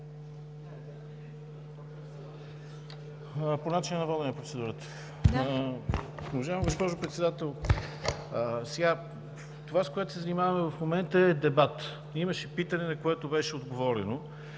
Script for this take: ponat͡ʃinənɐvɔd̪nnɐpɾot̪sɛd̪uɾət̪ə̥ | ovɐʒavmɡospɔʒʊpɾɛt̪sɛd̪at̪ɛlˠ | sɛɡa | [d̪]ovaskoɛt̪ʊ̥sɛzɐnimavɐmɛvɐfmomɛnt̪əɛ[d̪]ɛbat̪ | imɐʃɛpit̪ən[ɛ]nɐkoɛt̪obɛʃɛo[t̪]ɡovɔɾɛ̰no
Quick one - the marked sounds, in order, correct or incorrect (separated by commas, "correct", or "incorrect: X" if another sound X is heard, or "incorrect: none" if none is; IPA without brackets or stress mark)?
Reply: incorrect: t̪, correct, correct, incorrect: d̪